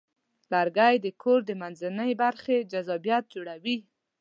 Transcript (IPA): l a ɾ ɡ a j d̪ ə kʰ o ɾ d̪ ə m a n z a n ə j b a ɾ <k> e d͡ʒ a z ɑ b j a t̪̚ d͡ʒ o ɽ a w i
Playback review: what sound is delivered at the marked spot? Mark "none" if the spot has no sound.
x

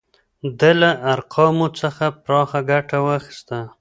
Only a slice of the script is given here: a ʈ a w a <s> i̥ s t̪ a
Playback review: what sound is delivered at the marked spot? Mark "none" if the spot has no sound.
x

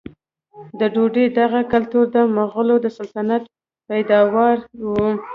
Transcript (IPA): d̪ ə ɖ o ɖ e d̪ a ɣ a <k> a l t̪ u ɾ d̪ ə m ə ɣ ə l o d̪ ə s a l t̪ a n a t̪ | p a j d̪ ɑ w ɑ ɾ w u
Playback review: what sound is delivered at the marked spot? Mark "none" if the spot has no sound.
k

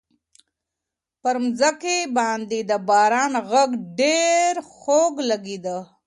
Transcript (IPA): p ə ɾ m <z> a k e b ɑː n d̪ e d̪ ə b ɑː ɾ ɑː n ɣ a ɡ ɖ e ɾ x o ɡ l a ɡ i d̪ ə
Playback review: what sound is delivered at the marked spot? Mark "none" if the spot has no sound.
z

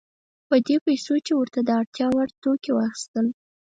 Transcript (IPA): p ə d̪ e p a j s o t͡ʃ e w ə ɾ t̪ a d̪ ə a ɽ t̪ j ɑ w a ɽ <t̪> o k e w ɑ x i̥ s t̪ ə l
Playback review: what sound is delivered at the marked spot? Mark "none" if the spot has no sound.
t̪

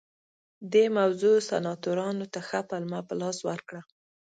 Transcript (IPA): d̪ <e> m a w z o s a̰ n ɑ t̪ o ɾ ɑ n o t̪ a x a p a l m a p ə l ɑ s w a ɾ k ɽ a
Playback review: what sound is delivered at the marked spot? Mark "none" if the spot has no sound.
e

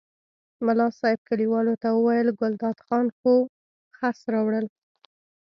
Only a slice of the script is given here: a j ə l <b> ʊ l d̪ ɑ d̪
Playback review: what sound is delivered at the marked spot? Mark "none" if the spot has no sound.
ɡ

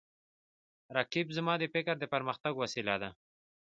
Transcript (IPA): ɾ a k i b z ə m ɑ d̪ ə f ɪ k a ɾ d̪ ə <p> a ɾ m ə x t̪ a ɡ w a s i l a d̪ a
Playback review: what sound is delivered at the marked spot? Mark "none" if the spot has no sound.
p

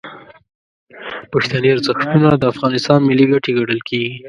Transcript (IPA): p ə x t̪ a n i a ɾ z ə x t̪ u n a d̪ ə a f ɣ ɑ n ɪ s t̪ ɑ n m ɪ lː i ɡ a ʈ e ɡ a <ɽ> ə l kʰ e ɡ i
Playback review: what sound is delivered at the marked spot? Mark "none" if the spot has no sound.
ɽ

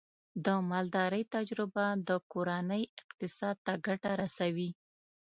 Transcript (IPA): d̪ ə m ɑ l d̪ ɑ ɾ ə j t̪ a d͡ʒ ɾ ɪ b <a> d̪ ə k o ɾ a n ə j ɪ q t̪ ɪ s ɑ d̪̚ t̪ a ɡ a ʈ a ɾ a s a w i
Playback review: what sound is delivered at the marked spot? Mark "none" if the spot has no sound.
a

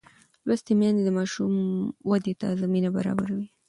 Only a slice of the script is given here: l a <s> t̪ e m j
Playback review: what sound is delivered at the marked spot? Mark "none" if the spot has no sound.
s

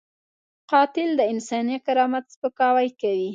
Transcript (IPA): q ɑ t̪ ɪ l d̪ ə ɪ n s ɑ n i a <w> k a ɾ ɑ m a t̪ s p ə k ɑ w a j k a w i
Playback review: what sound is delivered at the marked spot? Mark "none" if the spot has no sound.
none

